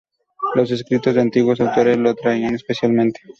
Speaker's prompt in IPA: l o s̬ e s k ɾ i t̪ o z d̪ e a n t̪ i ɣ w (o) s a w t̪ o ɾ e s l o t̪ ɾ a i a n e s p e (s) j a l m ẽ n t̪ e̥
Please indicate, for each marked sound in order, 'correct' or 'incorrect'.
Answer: correct, correct

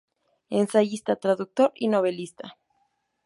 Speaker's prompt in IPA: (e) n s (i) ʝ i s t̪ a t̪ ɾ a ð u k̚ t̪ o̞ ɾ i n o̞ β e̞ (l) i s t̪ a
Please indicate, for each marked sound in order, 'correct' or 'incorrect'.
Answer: correct, incorrect, correct

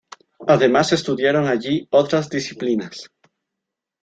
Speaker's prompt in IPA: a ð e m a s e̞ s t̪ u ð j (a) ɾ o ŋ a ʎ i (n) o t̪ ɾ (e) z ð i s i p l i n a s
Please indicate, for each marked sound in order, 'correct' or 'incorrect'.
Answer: correct, incorrect, incorrect

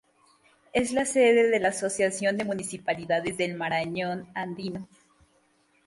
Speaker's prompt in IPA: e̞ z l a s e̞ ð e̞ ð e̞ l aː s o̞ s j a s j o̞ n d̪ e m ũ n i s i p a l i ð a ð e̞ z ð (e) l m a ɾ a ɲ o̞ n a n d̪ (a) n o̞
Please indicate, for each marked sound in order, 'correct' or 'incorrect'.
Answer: correct, incorrect

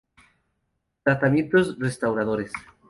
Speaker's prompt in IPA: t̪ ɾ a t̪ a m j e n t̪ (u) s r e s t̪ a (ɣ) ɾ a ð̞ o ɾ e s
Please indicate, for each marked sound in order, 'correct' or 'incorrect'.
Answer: incorrect, incorrect

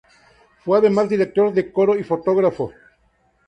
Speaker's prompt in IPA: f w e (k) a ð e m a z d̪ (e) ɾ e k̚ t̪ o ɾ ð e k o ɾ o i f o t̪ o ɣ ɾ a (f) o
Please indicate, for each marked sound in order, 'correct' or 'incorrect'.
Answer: incorrect, incorrect, correct

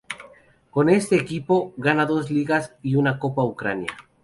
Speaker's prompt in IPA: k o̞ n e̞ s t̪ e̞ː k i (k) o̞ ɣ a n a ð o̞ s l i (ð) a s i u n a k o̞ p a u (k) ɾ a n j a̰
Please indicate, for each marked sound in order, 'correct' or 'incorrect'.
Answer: incorrect, incorrect, correct

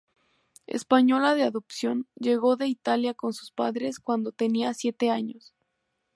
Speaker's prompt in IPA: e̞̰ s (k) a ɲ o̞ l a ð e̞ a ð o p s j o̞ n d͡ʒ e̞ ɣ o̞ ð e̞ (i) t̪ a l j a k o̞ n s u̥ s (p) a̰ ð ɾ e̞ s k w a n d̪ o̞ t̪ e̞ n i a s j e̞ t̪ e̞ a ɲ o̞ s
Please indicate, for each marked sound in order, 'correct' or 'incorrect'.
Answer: incorrect, correct, correct

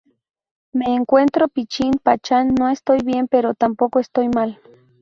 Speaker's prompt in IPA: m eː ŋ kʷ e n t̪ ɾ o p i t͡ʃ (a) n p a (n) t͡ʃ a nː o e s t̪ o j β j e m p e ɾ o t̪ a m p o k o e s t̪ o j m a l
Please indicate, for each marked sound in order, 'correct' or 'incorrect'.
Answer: incorrect, incorrect

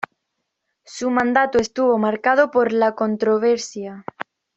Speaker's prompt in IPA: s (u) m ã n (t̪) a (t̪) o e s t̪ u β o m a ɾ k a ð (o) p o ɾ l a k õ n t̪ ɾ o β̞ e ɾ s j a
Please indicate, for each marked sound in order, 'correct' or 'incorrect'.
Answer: correct, incorrect, correct, correct

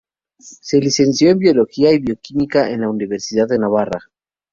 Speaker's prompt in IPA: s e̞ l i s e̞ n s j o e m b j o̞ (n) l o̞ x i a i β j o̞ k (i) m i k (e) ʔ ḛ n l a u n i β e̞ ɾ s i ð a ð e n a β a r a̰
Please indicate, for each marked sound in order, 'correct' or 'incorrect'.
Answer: incorrect, correct, incorrect

